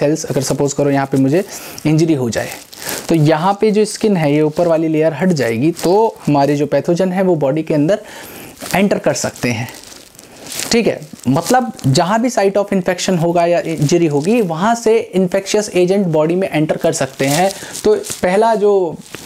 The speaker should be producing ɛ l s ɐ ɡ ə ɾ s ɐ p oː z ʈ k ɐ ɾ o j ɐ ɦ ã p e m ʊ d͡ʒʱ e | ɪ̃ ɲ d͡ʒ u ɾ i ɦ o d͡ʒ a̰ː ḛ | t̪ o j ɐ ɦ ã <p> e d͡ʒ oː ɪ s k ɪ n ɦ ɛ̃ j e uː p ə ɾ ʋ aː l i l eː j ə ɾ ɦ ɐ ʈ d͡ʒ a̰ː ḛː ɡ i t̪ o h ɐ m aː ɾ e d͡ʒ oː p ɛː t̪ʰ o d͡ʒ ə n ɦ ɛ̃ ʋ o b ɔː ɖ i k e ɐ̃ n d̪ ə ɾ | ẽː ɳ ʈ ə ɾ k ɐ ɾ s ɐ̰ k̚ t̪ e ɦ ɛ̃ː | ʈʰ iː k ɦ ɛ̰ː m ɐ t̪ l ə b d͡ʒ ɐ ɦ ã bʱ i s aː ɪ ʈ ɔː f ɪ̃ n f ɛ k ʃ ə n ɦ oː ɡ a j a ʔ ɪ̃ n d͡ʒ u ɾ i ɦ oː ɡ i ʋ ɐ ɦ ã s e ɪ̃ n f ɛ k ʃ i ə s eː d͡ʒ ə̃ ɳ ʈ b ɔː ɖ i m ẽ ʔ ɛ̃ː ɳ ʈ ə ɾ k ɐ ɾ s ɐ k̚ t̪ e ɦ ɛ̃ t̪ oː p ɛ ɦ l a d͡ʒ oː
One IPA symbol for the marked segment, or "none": p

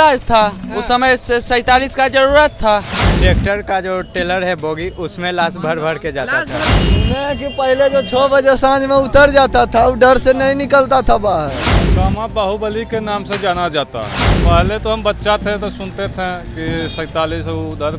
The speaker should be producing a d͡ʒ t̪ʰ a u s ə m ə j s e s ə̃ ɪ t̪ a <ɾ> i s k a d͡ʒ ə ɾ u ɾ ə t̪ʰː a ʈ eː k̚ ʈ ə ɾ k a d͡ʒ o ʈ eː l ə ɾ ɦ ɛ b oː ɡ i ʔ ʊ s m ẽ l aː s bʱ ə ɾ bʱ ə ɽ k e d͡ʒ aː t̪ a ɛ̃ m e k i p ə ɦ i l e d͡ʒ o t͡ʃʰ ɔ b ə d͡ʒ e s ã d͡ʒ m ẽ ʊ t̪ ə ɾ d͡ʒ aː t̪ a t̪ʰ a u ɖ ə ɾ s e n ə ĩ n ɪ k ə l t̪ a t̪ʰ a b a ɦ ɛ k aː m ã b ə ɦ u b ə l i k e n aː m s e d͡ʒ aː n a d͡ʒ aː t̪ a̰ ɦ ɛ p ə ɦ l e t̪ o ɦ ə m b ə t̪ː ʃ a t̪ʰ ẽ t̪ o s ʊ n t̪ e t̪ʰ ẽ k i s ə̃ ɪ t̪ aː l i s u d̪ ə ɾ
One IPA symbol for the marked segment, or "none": l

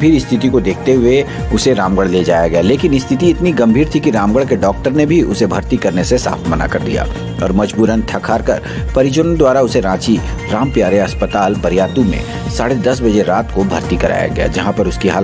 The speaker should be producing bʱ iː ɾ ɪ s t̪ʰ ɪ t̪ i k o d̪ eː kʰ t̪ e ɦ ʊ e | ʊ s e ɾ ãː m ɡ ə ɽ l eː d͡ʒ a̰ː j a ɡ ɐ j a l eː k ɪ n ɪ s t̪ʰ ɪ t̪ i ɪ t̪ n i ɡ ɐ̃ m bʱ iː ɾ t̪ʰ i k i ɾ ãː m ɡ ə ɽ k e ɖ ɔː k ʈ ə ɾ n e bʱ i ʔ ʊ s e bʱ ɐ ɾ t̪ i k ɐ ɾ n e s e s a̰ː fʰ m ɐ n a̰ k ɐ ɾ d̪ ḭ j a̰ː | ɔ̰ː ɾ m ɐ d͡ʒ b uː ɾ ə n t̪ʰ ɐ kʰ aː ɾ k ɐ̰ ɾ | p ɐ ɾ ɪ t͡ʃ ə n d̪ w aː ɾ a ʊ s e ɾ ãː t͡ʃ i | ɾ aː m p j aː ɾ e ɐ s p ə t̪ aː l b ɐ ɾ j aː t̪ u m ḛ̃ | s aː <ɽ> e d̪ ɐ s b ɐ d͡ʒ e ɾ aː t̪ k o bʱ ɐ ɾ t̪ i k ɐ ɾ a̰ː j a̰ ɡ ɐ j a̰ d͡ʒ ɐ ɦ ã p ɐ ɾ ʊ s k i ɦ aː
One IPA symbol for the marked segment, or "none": ɽ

